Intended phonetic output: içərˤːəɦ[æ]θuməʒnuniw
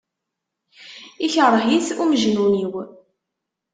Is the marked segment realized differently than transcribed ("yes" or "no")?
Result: yes